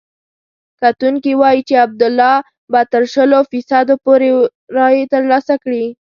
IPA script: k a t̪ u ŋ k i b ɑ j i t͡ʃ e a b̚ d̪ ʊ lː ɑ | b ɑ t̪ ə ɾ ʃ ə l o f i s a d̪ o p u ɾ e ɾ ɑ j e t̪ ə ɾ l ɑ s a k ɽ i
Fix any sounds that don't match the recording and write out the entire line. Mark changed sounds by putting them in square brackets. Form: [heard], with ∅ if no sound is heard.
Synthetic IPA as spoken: k a t̪ u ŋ k i [w] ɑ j i t͡ʃ e a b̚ d̪ ʊ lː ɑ | b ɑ t̪ ə ɾ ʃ ə l o f i s a d̪ o p [o] ɾ e ɾ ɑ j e t̪ ə ɾ l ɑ s a k ɽ i